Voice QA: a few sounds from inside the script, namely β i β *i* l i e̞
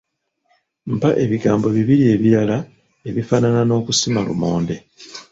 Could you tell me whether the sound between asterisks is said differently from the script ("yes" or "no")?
no